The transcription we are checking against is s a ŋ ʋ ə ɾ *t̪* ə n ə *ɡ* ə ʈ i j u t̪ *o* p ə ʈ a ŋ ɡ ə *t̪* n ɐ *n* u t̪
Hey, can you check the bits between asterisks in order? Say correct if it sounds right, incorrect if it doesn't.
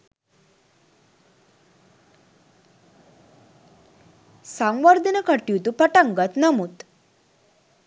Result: incorrect: d̪, incorrect: k, incorrect: u, correct, incorrect: m

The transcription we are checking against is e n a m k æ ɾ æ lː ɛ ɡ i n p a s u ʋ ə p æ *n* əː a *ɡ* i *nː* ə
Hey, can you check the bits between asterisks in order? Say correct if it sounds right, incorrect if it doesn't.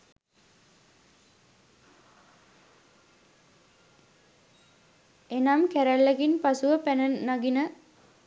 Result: correct, correct, incorrect: n

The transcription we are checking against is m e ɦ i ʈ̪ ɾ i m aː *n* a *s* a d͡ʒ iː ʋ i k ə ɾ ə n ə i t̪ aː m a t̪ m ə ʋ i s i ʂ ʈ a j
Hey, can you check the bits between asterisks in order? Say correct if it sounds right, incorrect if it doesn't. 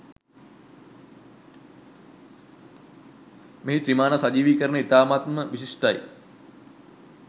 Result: correct, correct

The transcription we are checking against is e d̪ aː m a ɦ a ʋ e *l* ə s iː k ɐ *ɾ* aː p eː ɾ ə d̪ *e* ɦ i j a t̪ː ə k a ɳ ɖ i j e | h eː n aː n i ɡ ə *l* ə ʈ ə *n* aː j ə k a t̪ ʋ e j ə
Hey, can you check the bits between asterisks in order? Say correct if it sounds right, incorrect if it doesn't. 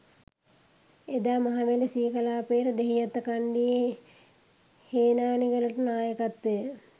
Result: correct, incorrect: l, correct, correct, correct

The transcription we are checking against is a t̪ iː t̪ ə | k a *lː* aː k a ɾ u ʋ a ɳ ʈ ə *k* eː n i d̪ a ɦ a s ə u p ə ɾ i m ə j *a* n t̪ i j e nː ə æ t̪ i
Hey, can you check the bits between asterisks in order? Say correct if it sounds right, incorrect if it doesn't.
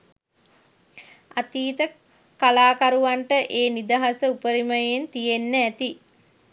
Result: incorrect: l, incorrect: ʔ, incorrect: e

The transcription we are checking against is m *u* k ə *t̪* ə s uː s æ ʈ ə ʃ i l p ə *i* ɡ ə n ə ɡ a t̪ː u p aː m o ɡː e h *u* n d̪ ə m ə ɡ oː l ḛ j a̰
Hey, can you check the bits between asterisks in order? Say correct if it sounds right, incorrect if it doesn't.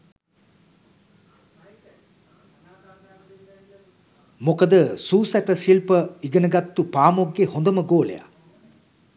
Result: incorrect: o, incorrect: d̪, correct, incorrect: o

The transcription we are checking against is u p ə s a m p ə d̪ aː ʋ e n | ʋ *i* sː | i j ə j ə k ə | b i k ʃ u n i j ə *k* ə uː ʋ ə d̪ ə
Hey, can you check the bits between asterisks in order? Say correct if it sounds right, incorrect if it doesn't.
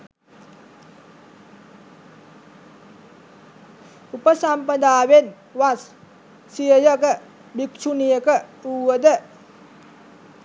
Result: incorrect: a, correct

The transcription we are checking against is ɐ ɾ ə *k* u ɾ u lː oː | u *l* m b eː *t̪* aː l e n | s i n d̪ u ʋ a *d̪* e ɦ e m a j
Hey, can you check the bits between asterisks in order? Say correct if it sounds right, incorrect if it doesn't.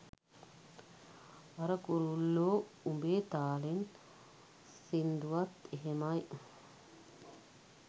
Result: correct, incorrect: none, correct, incorrect: t̪

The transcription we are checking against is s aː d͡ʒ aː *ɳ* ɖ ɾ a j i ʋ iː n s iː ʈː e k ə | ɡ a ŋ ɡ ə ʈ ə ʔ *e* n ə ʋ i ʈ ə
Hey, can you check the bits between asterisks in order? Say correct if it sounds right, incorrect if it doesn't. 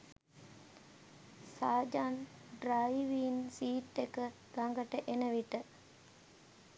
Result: incorrect: n, correct

